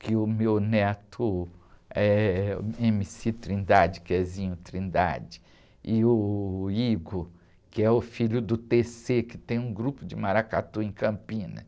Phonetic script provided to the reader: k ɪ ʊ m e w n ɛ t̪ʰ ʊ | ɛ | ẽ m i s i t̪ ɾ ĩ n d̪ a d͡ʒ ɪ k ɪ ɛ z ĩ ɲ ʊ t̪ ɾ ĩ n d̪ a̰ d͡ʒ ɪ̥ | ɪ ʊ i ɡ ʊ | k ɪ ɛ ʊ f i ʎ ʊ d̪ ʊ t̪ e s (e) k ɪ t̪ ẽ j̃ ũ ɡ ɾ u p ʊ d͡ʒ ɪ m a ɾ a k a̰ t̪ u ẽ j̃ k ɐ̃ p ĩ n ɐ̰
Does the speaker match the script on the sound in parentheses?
yes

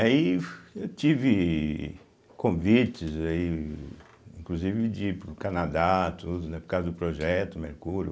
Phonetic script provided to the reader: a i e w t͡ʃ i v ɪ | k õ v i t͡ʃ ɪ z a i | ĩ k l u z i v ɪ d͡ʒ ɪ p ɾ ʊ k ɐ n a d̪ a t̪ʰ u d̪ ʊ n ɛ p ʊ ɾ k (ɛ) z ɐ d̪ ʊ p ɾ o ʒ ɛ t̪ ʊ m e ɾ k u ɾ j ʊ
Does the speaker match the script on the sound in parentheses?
no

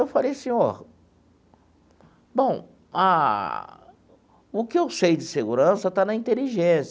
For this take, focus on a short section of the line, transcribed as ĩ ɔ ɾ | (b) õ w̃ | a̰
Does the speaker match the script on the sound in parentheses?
yes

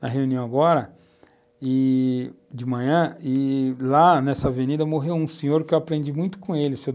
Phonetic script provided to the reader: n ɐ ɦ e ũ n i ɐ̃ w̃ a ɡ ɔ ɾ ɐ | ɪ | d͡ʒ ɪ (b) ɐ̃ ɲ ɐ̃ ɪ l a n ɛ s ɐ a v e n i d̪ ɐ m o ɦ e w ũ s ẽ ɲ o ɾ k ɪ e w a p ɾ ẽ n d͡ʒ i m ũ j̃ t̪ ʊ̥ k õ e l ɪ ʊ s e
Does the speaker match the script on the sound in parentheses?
no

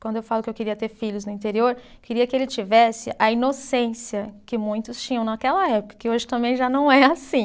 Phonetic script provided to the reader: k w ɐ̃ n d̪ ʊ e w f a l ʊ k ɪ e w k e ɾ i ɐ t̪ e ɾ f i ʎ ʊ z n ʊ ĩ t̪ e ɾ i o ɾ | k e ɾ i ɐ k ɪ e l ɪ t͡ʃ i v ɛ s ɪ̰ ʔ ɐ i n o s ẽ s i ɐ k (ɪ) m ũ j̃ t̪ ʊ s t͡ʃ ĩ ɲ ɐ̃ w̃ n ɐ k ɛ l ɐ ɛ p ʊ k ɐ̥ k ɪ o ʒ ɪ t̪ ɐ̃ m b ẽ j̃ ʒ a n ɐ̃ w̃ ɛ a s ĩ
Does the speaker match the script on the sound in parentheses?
yes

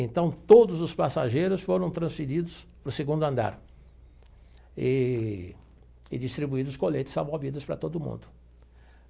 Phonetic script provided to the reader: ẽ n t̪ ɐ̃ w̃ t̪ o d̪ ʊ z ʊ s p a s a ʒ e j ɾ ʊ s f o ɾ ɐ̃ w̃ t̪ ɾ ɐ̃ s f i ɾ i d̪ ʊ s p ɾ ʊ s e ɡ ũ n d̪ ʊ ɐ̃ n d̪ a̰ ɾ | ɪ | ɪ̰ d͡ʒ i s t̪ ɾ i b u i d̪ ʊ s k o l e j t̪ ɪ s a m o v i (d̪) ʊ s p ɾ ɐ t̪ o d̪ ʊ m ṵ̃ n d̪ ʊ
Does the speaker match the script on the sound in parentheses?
yes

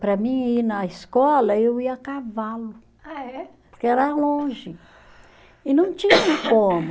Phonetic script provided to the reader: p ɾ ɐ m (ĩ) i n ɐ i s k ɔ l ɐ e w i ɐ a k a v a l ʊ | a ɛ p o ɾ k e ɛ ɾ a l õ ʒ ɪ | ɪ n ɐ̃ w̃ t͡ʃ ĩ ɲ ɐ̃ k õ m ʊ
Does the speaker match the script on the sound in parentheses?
yes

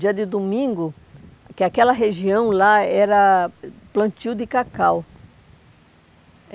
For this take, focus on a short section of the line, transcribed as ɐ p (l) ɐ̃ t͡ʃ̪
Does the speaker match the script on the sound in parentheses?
yes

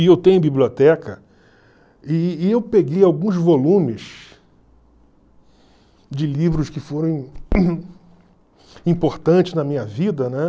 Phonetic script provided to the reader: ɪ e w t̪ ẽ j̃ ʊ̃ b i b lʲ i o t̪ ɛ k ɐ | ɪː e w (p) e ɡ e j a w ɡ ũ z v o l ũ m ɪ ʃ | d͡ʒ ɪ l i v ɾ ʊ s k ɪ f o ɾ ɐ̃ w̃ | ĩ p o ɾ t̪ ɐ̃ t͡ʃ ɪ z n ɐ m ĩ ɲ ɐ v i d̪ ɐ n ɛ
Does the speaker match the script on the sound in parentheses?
yes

